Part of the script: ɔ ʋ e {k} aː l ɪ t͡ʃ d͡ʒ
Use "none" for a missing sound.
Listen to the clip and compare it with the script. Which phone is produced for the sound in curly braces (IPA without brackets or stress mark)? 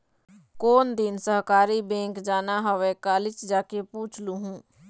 k